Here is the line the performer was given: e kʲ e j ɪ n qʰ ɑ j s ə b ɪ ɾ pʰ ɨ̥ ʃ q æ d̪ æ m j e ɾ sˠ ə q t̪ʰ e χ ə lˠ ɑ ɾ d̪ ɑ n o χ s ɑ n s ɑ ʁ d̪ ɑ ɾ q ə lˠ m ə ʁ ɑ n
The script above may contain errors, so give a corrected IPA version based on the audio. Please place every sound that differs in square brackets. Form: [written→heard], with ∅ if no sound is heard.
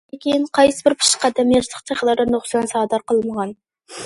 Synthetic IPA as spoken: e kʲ e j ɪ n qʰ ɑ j s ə b ɪ ɾ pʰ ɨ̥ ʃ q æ d̪ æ m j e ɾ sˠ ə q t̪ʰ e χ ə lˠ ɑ ɾ d̪ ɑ n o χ s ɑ n s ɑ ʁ d̪ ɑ ɾ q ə lˠ m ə ʁ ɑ n